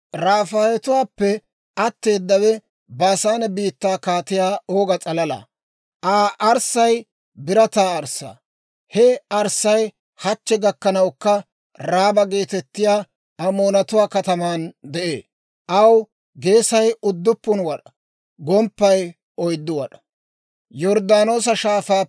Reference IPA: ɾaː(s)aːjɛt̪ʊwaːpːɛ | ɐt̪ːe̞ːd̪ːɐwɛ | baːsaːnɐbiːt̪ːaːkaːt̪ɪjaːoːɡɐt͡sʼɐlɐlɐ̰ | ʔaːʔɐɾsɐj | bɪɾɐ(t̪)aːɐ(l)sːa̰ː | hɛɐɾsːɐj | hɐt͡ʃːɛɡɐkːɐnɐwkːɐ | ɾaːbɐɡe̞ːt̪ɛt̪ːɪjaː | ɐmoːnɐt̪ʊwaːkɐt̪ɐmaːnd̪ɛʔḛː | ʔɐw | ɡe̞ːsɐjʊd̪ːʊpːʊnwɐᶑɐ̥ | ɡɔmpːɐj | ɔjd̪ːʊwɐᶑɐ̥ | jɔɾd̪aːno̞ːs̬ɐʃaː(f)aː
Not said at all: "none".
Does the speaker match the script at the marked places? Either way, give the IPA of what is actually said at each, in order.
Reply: f, t̪, ɾ, f

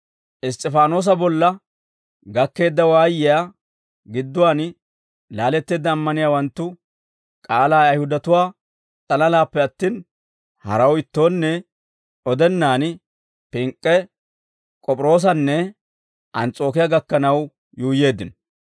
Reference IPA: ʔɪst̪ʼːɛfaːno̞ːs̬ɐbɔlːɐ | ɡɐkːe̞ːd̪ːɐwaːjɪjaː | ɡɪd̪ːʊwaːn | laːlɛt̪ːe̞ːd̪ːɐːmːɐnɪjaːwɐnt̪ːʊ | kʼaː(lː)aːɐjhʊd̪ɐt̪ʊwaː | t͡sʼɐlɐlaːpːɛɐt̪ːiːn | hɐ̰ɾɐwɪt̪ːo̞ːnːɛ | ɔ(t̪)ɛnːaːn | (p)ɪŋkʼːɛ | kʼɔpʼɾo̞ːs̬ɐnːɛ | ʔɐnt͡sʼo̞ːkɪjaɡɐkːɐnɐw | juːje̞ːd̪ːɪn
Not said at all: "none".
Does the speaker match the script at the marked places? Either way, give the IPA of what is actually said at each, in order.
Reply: l, d̪, p

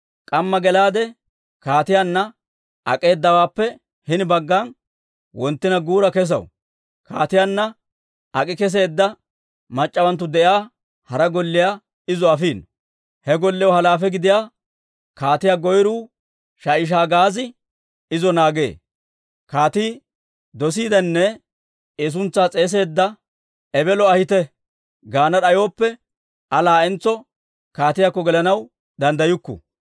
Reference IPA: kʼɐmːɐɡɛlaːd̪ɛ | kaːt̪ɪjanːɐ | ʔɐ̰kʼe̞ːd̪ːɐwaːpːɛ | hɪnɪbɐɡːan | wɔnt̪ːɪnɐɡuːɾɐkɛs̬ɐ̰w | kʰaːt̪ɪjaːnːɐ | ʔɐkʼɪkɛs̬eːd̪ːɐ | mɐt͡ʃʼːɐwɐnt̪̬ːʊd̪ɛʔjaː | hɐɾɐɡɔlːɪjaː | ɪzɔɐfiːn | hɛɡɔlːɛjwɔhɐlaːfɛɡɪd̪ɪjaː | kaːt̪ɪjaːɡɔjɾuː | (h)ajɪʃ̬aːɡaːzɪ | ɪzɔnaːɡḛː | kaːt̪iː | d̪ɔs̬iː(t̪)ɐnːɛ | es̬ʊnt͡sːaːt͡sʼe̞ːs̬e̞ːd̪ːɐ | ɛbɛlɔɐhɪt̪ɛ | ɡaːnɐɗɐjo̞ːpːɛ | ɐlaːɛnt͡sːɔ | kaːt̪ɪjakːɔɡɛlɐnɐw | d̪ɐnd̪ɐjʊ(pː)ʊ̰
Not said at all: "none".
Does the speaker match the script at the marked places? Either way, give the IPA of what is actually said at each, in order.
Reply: ʃ, d̪, kː

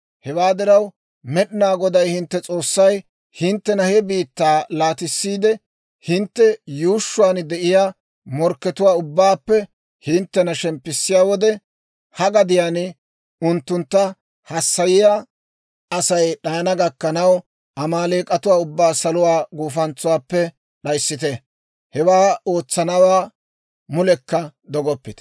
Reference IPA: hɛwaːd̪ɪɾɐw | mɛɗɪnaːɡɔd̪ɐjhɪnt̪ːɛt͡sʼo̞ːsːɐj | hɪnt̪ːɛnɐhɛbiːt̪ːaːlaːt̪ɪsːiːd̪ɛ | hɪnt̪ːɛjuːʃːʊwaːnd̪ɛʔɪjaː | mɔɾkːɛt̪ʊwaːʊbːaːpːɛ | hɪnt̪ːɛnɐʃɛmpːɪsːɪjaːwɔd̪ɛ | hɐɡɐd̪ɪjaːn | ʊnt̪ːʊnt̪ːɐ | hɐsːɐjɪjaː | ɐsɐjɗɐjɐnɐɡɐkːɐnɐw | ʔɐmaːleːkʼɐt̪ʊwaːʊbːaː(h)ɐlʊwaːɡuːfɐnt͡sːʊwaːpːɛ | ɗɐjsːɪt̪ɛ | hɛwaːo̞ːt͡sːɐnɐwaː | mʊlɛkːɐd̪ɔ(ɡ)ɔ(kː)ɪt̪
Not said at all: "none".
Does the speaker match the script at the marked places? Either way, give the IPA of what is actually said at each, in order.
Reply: s, ɡ, pː

